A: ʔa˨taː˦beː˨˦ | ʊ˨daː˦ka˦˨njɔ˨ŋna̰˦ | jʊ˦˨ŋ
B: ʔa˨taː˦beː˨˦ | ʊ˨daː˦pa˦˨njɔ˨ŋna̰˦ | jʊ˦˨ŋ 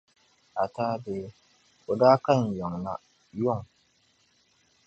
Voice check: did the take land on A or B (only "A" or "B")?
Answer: A